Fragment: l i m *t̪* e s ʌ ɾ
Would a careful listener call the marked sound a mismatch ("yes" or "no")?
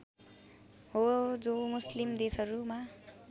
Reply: yes